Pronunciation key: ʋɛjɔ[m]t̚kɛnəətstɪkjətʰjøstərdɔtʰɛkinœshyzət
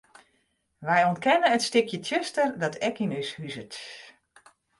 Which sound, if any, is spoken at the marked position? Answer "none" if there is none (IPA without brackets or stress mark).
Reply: n